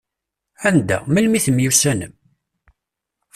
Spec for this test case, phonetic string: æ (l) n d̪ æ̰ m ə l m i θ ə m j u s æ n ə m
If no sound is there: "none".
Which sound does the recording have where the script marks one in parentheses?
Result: none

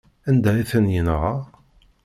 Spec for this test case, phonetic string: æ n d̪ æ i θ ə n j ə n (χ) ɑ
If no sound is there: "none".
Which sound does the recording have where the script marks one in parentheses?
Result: ʁ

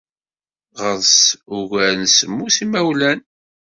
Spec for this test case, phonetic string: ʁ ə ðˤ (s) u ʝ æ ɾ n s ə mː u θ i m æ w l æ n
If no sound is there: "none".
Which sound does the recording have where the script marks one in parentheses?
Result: s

